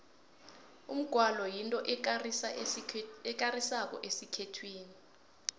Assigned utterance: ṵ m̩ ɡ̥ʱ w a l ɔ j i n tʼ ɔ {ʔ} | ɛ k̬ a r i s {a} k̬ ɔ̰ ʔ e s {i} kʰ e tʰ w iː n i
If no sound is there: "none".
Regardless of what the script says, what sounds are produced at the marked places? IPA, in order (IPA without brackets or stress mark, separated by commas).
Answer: ʔ, a, i